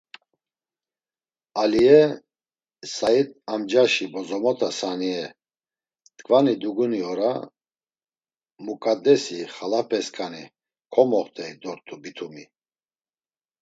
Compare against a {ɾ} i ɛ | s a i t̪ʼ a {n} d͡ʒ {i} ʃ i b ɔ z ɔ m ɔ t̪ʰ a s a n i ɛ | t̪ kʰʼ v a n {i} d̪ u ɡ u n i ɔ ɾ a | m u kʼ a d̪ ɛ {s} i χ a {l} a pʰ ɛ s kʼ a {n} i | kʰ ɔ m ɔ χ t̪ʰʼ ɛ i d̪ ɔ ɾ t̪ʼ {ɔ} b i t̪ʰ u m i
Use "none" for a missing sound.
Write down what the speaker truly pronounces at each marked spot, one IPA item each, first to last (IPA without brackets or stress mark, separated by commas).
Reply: l, m, a, i, s, l, n, u